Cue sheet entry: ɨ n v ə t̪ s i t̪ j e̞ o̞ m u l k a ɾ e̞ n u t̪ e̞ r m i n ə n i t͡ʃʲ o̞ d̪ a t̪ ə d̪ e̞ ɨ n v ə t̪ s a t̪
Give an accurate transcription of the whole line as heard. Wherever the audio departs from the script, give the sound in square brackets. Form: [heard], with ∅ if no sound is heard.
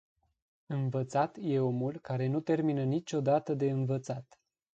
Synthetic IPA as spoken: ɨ n v ə t̪ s [a] t̪ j e̞ o̞ m u l k a ɾ e̞ n u t̪ e̞ r m i n ə n i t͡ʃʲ o̞ d̪ a t̪ ə d̪ e̞ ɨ n v ə t̪ s a t̪